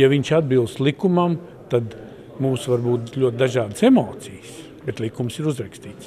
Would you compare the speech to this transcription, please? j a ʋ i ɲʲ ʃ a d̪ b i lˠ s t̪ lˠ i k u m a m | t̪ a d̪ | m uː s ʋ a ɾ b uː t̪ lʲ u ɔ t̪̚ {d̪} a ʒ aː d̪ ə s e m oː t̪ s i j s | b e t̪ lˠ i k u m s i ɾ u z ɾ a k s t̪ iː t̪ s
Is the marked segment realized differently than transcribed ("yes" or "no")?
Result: no